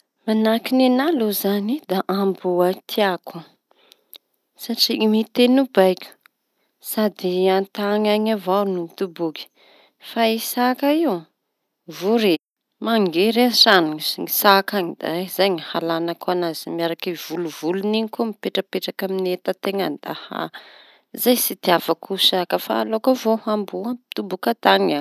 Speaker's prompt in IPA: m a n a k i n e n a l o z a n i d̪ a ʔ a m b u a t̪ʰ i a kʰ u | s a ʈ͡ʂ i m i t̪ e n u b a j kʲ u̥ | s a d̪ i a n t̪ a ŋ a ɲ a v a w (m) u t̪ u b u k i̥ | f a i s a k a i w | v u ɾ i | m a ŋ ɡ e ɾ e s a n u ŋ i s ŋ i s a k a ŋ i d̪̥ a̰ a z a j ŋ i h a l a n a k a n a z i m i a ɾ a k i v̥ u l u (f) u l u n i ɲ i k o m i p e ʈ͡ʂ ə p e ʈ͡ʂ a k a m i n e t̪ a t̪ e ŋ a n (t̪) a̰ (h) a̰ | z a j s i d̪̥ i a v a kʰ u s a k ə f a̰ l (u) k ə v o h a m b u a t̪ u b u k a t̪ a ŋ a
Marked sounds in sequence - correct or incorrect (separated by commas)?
incorrect, incorrect, incorrect, correct, incorrect